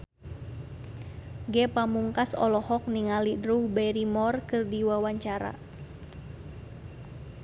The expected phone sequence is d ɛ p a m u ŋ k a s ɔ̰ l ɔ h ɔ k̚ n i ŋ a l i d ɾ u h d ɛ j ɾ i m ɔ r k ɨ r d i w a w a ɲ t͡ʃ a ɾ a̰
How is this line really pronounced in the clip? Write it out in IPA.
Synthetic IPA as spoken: ɡ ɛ p a m u ŋ k a s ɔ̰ l ɔ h ɔ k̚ n i ŋ a l i d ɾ u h b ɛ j ɾ i m ɔ r k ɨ r d i w a w a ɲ t͡ʃ a ɾ a̰